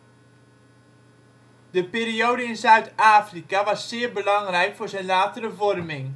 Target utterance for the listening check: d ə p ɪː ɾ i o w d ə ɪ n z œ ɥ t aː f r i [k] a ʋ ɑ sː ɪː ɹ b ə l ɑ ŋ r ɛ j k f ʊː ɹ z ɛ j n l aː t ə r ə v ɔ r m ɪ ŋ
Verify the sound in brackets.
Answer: correct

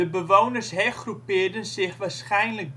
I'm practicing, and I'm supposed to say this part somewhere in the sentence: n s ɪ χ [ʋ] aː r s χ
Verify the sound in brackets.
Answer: correct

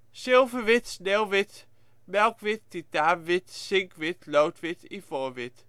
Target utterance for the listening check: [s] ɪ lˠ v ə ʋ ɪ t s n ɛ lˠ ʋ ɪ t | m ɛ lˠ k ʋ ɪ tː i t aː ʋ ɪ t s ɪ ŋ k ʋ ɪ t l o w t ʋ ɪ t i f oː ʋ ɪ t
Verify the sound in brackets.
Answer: correct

